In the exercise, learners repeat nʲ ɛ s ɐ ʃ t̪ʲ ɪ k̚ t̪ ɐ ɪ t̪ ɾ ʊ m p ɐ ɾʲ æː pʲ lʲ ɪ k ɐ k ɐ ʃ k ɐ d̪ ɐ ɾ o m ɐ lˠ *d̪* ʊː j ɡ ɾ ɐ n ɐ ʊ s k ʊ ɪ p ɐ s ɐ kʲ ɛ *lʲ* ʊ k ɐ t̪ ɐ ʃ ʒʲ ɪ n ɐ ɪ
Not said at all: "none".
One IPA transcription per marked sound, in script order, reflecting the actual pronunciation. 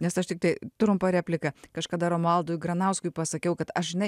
d̪, none

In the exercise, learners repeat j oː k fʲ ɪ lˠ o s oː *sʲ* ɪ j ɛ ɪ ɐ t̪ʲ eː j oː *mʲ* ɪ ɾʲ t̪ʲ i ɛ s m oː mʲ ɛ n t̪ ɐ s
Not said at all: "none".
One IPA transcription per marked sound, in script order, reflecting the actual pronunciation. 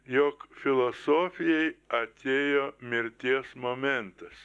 fʲ, mʲ

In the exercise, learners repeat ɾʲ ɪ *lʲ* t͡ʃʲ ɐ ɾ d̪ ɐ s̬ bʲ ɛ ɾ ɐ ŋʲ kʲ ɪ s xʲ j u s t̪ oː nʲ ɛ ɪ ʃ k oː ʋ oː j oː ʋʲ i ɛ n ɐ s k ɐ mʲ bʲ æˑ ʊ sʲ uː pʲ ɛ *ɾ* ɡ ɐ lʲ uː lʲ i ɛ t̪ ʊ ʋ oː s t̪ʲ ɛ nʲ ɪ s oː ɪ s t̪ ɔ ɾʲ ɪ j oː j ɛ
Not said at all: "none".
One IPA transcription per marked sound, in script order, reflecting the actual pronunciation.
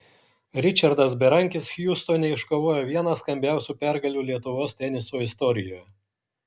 none, ɾ

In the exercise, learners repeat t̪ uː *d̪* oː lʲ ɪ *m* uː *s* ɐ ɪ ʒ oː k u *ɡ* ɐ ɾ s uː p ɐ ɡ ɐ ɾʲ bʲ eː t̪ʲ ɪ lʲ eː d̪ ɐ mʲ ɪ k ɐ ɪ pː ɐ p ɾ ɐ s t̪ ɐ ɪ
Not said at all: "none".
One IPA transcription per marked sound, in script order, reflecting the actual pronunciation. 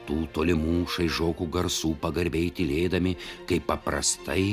t̪, m, ʃ, ɡ

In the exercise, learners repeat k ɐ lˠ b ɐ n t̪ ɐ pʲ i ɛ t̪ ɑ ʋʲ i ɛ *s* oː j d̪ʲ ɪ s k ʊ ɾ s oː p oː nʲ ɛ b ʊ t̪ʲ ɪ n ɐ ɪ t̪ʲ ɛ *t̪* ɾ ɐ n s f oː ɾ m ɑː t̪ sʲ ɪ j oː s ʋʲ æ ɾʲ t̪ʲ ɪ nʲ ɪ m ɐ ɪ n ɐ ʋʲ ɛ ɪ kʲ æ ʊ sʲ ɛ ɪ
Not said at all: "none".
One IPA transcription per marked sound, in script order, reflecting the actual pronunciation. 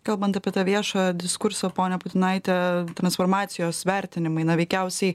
ʃ, t̪

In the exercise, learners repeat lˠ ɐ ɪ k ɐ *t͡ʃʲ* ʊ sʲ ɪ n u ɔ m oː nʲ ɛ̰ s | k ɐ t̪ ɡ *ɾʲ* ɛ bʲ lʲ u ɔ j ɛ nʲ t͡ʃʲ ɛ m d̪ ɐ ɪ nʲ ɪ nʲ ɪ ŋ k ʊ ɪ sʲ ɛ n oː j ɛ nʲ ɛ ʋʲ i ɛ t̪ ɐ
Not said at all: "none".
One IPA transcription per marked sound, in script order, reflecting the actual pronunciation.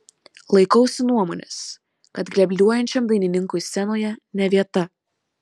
none, lʲ

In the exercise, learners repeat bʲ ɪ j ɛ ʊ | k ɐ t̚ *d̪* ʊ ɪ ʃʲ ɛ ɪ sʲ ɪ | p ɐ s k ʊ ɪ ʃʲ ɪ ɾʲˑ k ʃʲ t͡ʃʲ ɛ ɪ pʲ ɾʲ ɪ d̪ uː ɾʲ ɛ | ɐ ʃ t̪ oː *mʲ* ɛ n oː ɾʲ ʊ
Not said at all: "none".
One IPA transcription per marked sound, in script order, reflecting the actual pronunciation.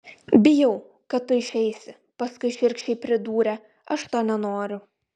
t̪, nʲ

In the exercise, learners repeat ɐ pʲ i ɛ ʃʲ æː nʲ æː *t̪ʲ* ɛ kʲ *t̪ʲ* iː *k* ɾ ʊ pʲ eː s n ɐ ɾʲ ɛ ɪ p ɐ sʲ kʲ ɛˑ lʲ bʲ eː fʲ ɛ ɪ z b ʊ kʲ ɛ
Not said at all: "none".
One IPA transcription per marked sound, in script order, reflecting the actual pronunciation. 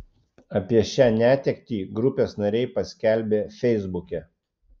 t̪ʲ, t̪ʲ, ɡ

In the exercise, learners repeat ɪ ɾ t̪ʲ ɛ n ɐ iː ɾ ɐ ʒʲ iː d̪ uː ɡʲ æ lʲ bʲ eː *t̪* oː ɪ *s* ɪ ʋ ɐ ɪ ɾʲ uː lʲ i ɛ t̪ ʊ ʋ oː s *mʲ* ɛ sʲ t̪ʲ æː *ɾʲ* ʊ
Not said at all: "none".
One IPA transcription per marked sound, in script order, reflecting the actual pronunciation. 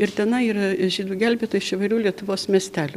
t̪, ʃ, mʲ, lʲ

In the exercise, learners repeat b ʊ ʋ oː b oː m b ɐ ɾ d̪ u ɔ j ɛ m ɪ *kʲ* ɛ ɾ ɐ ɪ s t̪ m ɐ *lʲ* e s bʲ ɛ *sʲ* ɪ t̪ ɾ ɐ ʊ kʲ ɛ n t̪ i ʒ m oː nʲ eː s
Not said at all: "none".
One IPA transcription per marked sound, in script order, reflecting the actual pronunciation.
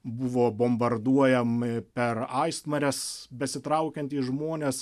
pʲ, ɾʲ, sʲ

